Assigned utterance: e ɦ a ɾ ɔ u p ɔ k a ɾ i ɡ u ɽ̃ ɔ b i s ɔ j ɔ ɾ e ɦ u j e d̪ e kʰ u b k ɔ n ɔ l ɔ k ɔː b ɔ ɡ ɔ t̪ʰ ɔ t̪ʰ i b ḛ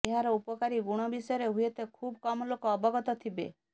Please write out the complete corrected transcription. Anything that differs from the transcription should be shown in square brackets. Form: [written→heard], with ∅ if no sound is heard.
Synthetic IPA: e ɦ a ɾ ɔ u p ɔ k a ɾ i ɡ u ɽ̃ ɔ b i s ɔ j ɔ ɾ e ɦ u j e [d̪→t̪] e kʰ u b k ɔ [n→m] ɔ l [ɔ→o] k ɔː b ɔ ɡ ɔ [t̪ʰ→t̪] ɔ t̪ʰ i b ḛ